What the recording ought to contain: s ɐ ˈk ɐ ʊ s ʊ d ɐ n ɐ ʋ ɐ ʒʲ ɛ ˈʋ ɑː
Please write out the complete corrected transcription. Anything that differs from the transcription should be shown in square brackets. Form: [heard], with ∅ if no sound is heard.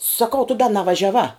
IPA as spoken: s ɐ ˈk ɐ ʊ [t] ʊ d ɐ n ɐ ʋ ɐ ʒʲ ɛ ˈʋ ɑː